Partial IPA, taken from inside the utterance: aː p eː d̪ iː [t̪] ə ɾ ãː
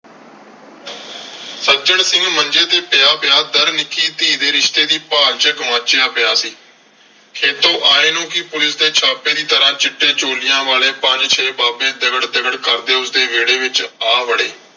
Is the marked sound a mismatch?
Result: no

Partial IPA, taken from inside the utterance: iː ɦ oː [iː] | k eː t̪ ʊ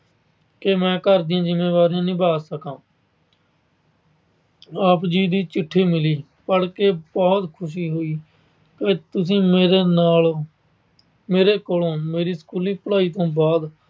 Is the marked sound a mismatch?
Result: no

